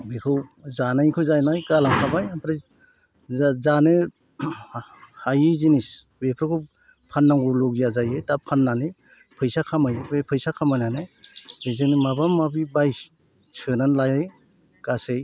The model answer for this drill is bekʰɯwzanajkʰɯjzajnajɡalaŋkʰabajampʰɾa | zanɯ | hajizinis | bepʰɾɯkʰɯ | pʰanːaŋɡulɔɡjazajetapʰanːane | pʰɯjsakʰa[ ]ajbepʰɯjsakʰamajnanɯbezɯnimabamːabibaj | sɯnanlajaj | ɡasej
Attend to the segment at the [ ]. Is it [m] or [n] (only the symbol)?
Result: m